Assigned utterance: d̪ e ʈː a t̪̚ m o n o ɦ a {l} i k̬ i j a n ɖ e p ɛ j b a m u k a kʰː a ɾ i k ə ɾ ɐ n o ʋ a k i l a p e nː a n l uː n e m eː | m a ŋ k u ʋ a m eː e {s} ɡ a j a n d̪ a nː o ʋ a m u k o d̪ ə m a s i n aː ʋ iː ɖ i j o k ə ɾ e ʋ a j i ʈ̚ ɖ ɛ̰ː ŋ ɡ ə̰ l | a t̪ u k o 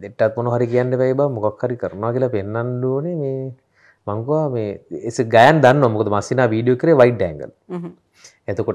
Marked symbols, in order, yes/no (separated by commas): no, yes